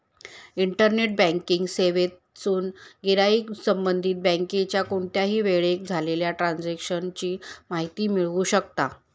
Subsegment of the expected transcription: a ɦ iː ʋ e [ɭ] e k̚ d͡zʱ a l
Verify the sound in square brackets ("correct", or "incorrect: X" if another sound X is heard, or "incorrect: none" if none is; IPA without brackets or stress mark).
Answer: correct